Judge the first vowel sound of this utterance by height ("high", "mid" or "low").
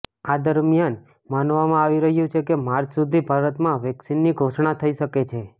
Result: low